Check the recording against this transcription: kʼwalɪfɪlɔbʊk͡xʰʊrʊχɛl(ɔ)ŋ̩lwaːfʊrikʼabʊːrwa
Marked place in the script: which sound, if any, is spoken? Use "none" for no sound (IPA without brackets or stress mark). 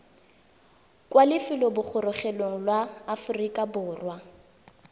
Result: o